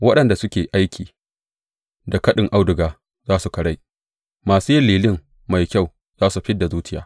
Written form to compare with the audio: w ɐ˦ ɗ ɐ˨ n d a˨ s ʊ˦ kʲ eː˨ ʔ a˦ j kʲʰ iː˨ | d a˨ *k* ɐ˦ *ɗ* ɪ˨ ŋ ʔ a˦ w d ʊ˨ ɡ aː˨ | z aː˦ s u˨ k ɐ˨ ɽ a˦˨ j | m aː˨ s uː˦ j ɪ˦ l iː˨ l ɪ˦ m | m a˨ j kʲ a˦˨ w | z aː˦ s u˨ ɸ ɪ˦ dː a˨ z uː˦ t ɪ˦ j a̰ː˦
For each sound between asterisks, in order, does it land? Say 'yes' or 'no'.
yes, yes

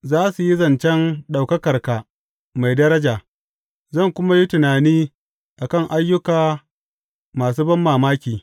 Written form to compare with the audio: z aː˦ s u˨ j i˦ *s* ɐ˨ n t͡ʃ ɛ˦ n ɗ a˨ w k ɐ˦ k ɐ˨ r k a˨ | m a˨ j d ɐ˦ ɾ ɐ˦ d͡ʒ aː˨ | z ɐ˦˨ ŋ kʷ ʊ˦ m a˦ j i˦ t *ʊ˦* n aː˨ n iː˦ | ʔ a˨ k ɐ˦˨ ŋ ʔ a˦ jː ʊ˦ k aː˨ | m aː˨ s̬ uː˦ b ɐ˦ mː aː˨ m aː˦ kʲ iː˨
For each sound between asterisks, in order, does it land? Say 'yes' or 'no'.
no, no

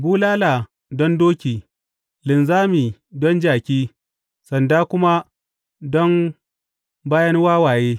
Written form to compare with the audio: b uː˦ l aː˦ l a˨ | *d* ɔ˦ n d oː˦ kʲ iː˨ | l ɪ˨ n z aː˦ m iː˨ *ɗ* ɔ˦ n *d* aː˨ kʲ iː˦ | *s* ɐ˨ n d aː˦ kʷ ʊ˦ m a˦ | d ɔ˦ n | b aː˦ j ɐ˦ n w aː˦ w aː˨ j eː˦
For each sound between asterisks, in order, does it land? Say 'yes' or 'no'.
yes, no, no, yes

